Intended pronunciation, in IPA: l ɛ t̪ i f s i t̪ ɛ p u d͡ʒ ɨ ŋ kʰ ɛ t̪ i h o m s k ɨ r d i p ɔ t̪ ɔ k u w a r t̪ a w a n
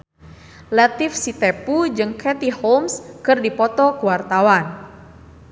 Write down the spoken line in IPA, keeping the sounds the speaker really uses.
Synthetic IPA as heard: l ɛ t̪ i f s i t̪ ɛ p u d͡ʒ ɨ ŋ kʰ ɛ t̪ i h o m s k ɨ r d i p ɔ t̪ ɔ k u w a r t̪ a w a n